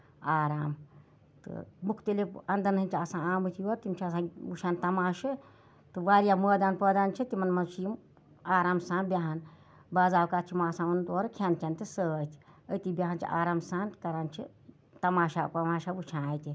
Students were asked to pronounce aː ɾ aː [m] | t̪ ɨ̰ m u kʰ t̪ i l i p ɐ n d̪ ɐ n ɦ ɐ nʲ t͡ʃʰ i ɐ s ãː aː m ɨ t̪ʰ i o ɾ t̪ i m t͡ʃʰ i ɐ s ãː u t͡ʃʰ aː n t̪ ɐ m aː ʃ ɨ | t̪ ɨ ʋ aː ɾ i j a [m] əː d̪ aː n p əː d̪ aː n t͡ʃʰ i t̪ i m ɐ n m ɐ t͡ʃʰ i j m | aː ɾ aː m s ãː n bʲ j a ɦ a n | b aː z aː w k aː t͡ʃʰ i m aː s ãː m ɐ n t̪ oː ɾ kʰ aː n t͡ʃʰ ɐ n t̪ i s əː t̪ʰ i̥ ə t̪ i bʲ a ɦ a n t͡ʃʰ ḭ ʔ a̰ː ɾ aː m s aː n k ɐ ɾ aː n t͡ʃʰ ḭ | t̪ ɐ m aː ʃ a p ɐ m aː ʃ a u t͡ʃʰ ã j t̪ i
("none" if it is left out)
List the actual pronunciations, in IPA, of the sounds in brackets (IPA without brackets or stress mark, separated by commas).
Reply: m, m